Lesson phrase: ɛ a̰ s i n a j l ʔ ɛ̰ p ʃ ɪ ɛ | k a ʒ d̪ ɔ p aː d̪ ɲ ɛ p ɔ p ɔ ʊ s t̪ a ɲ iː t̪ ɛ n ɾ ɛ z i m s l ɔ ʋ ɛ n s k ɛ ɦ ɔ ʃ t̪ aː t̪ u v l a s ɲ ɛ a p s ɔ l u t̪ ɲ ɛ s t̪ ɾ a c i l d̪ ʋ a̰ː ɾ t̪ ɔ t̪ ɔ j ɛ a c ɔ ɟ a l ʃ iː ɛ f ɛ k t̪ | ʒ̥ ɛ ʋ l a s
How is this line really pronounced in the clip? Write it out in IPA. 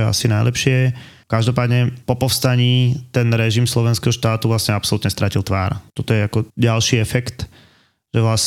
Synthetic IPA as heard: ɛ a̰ s i n a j l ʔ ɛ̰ p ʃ ɪ ɛ | k a ʒ d̪ ɔ p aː d̪ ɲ ɛ p ɔ p ɔ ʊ s t̪ a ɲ iː t̪ ɛ n ɾ ɛ ʒ i m s l ɔ ʋ ɛ n s k ɛ ɦ ɔ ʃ t̪ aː t̪ u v l a s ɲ ɛ a p s ɔ l u t̪ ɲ ɛ s t̪ ɾ a c i l t̪ ʋ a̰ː ɾ t̪ ɔ t̪ ɔ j ɛ a k ɔ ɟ a l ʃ iː ɛ f ɛ k t̪ | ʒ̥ ɛ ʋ l a s